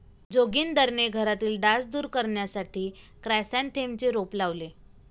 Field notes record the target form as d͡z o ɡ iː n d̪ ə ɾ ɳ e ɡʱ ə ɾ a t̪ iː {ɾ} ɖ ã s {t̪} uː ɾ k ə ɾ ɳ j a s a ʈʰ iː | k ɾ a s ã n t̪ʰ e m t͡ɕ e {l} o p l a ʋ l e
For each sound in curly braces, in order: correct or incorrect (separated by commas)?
incorrect, incorrect, incorrect